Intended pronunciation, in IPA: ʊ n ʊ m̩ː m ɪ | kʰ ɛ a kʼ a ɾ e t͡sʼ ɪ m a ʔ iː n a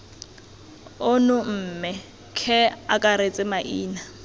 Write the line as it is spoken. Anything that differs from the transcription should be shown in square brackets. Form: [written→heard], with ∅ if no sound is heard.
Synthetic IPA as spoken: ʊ n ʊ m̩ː m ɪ | kʰ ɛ a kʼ a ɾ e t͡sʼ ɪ m a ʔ iː n a